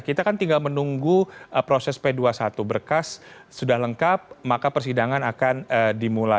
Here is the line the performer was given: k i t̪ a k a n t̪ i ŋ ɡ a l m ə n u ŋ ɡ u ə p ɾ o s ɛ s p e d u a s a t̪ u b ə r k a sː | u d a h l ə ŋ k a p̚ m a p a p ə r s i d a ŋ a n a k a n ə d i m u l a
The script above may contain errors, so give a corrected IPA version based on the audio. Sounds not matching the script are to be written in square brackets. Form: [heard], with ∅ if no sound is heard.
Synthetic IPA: k i t̪ a k a n t̪ i ŋ ɡ a l m ə n u ŋ ɡ u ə p ɾ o s ɛ s p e d u a s a t̪ u b ə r k a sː | u d a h l ə ŋ k a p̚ m a [k] a p ə r s i d a ŋ a n a k a n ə d i m u l a